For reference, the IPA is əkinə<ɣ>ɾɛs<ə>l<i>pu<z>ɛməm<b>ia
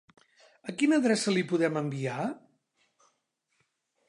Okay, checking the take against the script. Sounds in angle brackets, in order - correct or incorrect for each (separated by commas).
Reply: incorrect, correct, correct, incorrect, correct